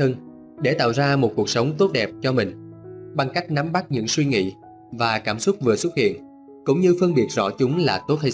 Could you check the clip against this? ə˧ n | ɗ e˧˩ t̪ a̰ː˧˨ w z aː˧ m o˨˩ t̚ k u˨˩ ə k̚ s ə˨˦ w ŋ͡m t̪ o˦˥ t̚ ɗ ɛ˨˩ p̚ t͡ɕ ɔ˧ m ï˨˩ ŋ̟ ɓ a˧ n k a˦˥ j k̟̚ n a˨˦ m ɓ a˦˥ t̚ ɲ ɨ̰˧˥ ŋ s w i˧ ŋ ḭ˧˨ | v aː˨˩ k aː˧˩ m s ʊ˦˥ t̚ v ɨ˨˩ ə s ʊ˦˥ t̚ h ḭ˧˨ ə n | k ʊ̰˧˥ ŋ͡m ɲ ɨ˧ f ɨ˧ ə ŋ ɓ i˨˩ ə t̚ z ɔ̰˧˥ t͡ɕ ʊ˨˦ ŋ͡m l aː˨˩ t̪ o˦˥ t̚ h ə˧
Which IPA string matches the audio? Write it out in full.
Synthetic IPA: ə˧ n | ɗ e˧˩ t̪ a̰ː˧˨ w z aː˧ m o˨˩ t̚ k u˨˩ ə k̚ s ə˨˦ w ŋ͡m t̪ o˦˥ t̚ ɗ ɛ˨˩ p̚ t͡ɕ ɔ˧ m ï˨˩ ŋ̟ ɓ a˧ ŋ k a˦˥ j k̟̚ n a˨˦ m ɓ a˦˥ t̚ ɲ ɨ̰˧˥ ŋ s w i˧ ŋ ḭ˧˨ | v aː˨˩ k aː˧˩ m s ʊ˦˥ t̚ v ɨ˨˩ ə s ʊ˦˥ t̚ h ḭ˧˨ ə n | k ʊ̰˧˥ ŋ͡m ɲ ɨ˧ f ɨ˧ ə ŋ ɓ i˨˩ ə t̚ z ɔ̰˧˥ t͡ɕ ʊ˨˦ ŋ͡m l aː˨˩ t̪ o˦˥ t̚ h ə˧